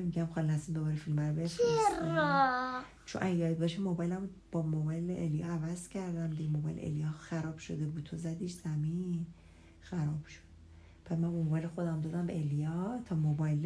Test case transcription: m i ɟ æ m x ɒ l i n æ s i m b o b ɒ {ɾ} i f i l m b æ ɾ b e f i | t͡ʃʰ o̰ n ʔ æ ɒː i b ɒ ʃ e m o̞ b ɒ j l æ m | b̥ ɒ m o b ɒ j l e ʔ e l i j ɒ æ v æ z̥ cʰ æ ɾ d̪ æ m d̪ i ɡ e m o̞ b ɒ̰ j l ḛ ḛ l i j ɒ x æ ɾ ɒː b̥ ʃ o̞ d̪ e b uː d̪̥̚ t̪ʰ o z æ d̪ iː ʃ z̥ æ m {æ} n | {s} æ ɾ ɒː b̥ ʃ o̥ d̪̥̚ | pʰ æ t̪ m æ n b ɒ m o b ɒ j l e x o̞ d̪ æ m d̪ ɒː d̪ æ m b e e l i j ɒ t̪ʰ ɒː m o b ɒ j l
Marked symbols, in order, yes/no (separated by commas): yes, no, no